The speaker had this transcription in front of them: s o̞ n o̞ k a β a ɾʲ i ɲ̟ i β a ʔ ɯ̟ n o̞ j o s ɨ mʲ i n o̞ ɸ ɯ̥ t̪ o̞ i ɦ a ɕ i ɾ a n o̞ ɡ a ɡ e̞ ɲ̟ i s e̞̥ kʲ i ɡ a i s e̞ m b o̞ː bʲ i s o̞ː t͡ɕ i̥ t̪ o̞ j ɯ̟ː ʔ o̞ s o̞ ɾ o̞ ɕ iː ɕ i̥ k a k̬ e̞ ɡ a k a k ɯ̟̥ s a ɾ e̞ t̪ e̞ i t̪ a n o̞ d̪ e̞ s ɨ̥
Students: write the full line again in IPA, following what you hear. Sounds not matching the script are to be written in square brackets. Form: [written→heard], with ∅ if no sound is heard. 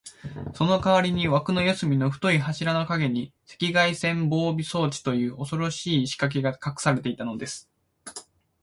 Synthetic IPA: s o̞ n o̞ k a β a ɾʲ i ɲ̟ i β a [ʔ→k] ɯ̟ n o̞ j o s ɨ mʲ i n o̞ ɸ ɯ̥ t̪ o̞ i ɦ a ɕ i ɾ a n o̞ [ɡ→k] a ɡ e̞ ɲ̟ i s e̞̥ kʲ i ɡ a i s [e̞→ẽ̞] m b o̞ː bʲ i s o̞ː t͡ɕ i̥ t̪ o̞ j ɯ̟ː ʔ o̞ s o̞ ɾ o̞ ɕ iː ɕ i̥ k a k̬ e̞ ɡ a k a k ɯ̟̥ s a ɾ e̞ t̪ e̞ i t̪ a n o̞ d̪ e̞ s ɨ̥